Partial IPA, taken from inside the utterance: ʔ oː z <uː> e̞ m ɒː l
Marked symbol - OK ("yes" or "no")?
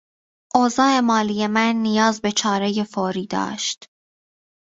no